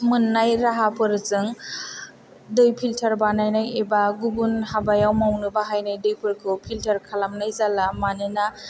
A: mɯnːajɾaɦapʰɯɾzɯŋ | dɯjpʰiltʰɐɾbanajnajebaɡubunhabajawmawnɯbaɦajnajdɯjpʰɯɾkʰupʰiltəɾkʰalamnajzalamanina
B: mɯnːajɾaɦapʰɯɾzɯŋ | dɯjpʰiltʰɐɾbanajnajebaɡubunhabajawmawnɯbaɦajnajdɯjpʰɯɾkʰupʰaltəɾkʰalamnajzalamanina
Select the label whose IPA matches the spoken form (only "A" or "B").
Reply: A